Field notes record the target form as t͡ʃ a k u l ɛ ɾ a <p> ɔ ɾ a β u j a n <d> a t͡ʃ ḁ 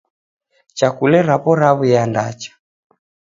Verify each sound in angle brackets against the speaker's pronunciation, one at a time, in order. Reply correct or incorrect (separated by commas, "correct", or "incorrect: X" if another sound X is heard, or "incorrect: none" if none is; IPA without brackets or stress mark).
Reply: correct, correct